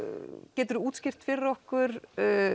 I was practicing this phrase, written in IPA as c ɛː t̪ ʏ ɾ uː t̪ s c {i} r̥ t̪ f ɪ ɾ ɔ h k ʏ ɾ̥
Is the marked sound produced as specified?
no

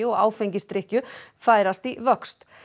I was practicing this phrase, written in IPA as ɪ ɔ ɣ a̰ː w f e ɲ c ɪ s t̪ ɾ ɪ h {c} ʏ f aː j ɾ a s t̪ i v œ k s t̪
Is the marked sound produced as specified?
yes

